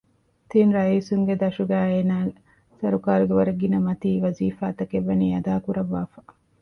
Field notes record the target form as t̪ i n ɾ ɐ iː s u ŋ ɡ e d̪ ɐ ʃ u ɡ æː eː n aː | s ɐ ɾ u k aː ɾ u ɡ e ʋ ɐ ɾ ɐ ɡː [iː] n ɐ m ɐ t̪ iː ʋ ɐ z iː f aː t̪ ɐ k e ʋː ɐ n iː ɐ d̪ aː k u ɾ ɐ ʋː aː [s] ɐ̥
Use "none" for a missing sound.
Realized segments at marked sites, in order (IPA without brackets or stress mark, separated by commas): i, f